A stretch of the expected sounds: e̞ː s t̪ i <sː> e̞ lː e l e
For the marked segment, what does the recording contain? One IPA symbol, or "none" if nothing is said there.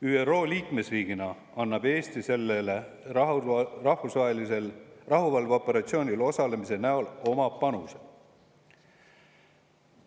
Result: s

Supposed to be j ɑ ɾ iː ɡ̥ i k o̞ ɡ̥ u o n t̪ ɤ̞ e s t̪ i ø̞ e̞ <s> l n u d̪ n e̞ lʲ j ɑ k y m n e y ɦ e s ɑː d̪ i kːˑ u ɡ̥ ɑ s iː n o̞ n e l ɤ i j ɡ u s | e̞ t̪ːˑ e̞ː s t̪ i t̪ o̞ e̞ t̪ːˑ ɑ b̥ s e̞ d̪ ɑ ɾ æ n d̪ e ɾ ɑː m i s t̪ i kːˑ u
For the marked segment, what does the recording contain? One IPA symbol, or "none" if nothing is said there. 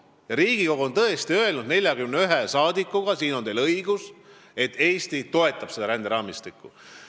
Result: none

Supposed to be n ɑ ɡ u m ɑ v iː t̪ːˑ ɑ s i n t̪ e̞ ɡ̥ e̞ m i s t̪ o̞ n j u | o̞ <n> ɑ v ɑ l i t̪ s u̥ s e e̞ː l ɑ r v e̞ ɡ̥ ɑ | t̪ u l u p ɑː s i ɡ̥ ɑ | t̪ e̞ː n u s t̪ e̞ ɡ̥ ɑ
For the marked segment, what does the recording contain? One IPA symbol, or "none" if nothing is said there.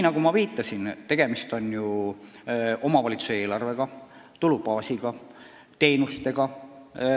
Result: m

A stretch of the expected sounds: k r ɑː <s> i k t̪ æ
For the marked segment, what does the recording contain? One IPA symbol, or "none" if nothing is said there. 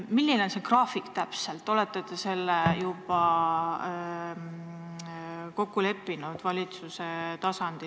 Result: f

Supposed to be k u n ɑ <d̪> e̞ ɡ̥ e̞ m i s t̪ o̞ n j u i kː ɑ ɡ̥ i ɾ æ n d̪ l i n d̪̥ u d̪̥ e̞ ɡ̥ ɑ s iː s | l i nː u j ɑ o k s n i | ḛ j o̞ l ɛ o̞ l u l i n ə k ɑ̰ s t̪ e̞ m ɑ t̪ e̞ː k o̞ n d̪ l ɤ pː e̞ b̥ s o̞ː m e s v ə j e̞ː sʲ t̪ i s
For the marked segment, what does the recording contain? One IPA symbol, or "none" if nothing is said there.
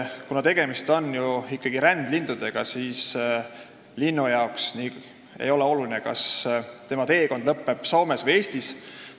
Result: t̪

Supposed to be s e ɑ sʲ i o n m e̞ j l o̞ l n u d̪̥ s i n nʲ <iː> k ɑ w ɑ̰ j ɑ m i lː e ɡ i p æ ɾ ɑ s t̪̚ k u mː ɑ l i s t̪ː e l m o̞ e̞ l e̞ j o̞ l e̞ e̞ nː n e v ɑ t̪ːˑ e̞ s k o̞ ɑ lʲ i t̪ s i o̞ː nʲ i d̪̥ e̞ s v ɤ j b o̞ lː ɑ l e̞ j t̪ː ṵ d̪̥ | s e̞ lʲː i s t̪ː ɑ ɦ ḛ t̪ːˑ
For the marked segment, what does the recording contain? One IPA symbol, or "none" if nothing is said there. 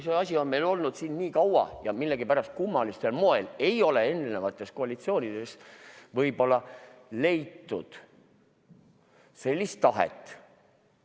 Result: iː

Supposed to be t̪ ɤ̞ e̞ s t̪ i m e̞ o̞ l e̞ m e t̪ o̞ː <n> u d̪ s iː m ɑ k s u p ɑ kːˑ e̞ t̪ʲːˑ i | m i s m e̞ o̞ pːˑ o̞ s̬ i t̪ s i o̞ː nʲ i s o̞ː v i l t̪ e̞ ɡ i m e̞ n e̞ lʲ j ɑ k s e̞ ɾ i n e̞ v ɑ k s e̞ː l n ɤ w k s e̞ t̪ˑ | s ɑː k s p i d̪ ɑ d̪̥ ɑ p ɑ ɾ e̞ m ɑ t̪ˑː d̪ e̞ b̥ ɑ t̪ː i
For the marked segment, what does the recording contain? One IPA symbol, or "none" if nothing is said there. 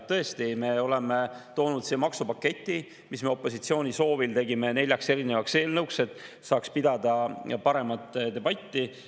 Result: n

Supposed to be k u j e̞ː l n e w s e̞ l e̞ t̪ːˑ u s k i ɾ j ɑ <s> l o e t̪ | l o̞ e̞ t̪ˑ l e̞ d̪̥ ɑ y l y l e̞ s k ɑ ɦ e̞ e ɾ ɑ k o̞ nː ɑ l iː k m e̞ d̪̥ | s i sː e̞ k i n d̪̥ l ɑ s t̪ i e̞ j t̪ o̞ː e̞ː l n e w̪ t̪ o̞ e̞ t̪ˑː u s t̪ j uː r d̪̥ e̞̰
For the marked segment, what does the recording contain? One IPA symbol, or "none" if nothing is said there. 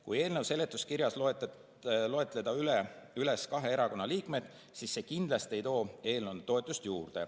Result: s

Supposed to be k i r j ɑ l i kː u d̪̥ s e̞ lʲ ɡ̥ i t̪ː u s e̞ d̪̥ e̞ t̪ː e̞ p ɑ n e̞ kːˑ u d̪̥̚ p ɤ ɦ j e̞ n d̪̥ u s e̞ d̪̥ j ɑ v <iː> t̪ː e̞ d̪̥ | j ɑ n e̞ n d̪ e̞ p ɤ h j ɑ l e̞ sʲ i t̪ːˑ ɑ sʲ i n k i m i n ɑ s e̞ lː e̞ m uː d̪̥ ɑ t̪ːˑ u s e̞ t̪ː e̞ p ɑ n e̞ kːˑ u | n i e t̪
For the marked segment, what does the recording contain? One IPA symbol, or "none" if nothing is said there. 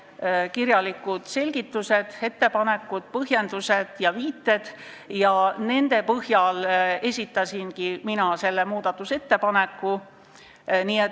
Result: iː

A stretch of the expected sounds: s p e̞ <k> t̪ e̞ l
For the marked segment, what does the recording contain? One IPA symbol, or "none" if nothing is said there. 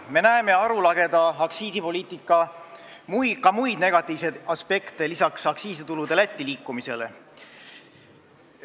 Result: k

